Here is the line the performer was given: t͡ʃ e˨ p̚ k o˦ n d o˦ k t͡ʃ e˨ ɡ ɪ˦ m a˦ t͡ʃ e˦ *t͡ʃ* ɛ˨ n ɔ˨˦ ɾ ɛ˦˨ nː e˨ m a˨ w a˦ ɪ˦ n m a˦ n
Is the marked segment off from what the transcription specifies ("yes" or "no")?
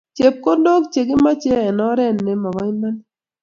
yes